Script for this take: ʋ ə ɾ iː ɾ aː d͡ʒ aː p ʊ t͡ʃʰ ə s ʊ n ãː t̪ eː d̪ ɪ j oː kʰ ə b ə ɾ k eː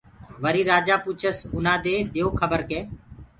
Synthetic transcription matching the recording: ʋ ə ɾ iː ɾ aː d͡ʒ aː p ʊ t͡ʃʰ ə s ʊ n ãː d̪ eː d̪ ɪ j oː kʰ ə b ə ɾ k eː